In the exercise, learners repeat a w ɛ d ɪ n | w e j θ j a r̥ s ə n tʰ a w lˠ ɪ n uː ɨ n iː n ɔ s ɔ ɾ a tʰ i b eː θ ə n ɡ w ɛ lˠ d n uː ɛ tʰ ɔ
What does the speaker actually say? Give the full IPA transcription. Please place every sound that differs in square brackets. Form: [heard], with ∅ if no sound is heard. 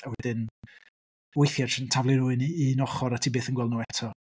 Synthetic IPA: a w ɛ d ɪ n | w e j θ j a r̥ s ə n tʰ a [v] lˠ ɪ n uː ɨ n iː n ɔ [χ] ɔ ɾ a tʰ i b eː θ ə n ɡ w ɛ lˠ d n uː ɛ tʰ ɔ